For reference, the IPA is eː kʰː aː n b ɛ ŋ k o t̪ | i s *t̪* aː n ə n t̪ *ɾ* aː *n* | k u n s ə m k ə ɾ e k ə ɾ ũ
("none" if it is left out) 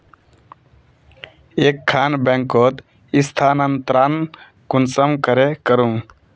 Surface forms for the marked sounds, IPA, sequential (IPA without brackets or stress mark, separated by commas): t̪ʰ, ɾ, n